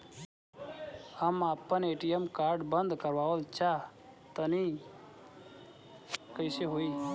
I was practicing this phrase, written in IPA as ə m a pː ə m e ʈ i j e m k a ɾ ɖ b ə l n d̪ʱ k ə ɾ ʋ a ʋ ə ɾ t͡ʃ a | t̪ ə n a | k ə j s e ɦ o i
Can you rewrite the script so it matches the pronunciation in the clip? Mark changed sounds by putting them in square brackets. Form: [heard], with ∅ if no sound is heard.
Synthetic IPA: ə m a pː ə [n] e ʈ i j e m k a ɾ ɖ b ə [∅] n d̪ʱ k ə ɾ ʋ a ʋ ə [l] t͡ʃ a | t̪ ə n [i] | k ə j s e ɦ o i